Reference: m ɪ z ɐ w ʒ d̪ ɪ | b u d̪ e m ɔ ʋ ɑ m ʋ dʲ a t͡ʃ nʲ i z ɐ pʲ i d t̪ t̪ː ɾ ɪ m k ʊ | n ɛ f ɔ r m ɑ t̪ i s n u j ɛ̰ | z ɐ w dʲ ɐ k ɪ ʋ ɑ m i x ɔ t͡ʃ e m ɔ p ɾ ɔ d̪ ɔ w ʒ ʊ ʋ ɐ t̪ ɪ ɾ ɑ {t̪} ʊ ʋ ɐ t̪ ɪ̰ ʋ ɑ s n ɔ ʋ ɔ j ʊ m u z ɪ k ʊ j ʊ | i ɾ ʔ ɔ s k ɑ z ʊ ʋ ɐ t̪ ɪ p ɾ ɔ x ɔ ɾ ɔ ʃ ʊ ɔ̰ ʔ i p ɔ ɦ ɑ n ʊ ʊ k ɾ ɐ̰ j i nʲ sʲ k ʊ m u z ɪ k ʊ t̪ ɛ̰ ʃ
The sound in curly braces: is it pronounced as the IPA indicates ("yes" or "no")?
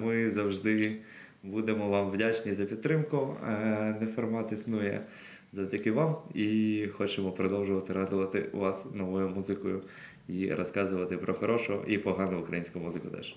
no